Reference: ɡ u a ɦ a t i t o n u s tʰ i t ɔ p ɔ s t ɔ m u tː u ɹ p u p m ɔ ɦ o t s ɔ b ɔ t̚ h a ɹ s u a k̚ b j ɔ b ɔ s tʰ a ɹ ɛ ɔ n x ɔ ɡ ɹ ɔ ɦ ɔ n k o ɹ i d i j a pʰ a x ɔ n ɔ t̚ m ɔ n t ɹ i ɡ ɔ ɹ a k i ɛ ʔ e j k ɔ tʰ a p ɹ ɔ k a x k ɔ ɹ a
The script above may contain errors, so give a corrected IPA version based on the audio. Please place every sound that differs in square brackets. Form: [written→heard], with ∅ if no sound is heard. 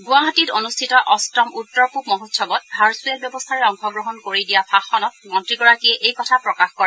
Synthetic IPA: ɡ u a ɦ a t i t o n u s tʰ i t ɔ [p→ʔ] ɔ s t ɔ m u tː [u→ɔ] ɹ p u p m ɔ ɦ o t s ɔ b ɔ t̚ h a ɹ s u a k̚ b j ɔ b ɔ s tʰ a ɹ ɛ ɔ [n→ŋ] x ɔ ɡ ɹ ɔ ɦ ɔ n k o ɹ i d i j a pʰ a x ɔ n ɔ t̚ m ɔ n t ɹ i ɡ ɔ ɹ a k i ɛ ʔ e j k ɔ tʰ a p ɹ ɔ k a x k ɔ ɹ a